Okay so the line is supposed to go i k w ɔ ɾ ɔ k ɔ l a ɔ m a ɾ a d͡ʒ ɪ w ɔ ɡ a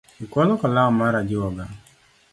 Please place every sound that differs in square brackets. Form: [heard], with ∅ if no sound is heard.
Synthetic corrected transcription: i k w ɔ [l] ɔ k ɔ l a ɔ m a ɾ a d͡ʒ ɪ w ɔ ɡ a